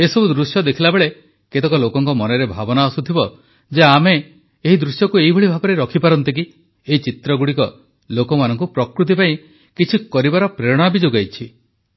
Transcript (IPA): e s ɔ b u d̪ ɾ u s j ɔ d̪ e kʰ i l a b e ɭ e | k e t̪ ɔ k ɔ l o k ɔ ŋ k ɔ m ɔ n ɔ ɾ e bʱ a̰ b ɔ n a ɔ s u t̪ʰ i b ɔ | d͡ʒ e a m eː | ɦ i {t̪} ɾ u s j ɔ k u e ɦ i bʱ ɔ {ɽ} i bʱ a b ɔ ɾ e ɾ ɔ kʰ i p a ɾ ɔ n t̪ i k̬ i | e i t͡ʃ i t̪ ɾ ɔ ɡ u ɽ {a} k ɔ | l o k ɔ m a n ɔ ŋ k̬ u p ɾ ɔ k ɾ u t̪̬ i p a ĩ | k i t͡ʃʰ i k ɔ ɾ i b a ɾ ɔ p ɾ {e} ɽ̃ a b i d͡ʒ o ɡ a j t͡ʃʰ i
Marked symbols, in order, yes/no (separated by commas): no, no, no, yes